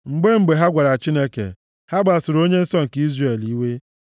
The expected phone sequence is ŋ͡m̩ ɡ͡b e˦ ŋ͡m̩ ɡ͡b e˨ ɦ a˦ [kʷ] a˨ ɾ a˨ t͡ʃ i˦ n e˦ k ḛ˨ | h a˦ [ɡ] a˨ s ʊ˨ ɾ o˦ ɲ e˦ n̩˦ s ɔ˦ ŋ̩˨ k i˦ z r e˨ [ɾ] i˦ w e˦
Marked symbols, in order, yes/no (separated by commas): no, no, no